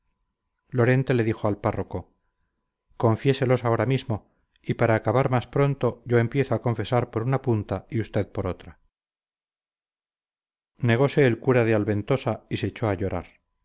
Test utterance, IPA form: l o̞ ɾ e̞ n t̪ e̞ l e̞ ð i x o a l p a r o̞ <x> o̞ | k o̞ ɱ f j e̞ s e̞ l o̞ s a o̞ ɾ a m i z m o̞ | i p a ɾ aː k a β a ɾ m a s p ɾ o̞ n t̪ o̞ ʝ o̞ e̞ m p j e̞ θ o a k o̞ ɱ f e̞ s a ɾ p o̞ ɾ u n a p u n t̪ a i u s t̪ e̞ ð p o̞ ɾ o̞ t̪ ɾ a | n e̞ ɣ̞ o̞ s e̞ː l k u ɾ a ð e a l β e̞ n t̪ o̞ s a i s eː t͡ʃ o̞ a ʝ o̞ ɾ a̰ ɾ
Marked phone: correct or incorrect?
incorrect